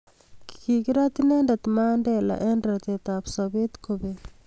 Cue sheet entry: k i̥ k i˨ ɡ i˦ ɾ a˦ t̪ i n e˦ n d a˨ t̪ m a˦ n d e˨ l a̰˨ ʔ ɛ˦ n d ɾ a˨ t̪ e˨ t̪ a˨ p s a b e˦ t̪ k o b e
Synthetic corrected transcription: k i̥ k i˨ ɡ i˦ ɾ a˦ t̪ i n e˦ n d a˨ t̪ m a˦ n d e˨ l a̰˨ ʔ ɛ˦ n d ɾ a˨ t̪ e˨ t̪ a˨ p s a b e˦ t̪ k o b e

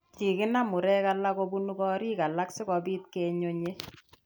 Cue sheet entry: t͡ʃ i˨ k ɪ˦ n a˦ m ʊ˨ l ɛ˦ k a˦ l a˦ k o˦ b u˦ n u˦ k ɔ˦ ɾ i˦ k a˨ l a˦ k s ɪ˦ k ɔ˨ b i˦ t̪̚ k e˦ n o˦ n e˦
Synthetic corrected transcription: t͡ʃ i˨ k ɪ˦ n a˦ m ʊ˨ ɾ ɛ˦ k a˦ l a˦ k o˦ b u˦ n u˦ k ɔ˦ ɾ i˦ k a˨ l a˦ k s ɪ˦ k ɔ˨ b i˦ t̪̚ k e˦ ɲ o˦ ɲ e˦

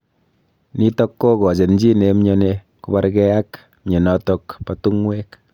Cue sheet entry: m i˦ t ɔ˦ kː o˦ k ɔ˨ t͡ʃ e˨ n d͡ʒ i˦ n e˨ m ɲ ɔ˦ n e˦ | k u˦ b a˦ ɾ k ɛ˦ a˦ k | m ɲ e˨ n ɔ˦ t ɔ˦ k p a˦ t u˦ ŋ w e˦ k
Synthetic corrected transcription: n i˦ t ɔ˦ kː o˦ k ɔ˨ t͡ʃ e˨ n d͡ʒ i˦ n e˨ m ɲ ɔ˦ n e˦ | k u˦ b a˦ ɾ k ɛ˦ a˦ k | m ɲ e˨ n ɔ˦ t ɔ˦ k p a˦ t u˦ ŋ w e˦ k

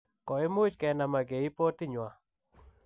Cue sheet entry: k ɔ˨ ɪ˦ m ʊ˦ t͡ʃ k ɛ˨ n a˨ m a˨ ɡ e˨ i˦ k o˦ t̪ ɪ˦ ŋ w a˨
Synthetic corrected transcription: k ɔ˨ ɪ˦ m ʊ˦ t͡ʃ k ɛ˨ n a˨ m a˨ ɡ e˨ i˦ p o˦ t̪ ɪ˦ ɲ w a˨

